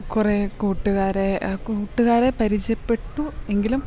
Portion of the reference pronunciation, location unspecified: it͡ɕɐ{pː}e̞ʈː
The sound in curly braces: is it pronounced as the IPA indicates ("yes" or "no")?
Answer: yes